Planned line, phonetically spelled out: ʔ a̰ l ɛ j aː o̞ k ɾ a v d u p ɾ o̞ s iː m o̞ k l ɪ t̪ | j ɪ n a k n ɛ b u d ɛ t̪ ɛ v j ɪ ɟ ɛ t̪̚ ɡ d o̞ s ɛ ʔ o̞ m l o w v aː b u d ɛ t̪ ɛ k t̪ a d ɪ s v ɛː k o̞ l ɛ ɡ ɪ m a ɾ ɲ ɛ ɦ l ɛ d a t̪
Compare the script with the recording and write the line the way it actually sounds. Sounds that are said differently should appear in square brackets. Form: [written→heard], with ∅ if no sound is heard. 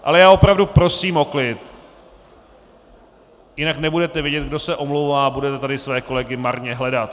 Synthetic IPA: ʔ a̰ l ɛ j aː o̞ [k→p] ɾ a v d u p ɾ o̞ s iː m o̞ k l ɪ t̪ | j ɪ n a k n ɛ b u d ɛ t̪ ɛ v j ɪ ɟ ɛ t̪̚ ɡ d o̞ s ɛ ʔ o̞ m l o w v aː b u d ɛ t̪ ɛ [k→∅] t̪ a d ɪ s v ɛː k o̞ l ɛ ɡ ɪ m a ɾ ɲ ɛ ɦ l ɛ d a t̪

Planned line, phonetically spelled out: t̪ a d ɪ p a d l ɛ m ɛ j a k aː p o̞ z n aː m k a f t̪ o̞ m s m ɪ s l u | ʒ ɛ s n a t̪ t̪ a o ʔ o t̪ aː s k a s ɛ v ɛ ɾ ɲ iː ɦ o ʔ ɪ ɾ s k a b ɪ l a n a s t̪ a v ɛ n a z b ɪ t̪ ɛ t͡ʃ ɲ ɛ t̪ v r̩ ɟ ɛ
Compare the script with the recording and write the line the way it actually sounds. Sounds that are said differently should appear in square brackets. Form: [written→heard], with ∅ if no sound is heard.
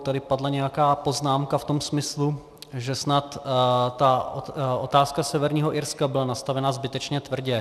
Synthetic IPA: t̪ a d ɪ p a d l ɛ [m→ɲ] ɛ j a k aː p o̞ z n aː m k a f t̪ o̞ m s m ɪ s l u | ʒ ɛ s n a t̪ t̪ a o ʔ o t̪ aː s k a s ɛ v ɛ ɾ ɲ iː ɦ o ʔ ɪ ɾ s k a b ɪ l a n a s t̪ a v ɛ n a z b ɪ t̪ ɛ t͡ʃ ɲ ɛ t̪ v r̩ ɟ ɛ

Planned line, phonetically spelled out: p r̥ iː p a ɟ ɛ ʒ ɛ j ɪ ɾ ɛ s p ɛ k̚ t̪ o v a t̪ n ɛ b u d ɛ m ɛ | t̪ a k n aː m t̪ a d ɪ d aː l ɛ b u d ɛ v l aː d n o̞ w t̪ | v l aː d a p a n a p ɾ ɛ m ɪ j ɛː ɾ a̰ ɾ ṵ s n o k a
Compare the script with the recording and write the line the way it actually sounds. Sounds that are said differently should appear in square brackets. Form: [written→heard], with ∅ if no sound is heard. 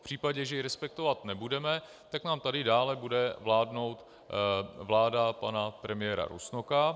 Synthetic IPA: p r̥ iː p a ɟ ɛ ʒ ɛ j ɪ ɾ ɛ s p ɛ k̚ t̪ o v a t̪ n ɛ b u d ɛ m ɛ | t̪ a k n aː m t̪ a d ɪ d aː l ɛ b u d ɛ v l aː d n o̞ w t̪ | v l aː d a p a n a p ɾ ɛ m ɪ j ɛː ɾ a̰ ɾ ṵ s n o k a

